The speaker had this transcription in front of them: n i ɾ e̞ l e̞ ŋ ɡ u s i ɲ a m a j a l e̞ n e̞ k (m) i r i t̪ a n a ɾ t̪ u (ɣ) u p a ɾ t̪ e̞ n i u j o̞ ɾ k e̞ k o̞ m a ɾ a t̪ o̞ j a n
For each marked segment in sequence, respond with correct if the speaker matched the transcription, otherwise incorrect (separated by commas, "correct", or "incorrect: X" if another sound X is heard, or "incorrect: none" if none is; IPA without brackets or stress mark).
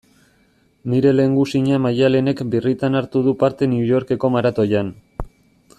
incorrect: b, incorrect: ð